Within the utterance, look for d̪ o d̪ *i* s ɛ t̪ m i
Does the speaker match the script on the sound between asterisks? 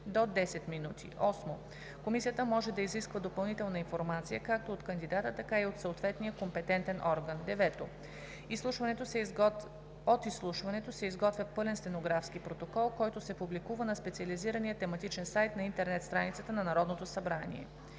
no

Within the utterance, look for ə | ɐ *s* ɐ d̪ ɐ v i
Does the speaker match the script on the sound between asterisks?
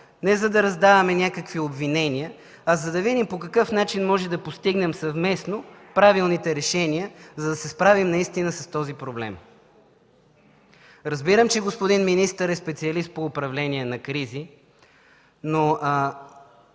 no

